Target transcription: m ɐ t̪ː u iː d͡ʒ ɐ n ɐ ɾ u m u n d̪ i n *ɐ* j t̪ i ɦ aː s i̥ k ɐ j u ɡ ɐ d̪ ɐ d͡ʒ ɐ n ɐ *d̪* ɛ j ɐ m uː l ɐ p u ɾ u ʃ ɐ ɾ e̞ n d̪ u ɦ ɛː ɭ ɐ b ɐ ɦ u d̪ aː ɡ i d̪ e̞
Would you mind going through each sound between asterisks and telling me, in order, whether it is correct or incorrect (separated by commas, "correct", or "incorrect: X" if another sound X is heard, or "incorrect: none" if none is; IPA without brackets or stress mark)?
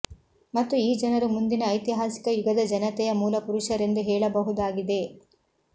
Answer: incorrect: ɐː, incorrect: t̪